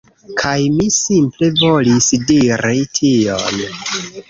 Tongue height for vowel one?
low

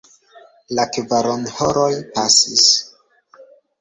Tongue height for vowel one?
low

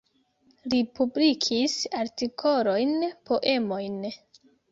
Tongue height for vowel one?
high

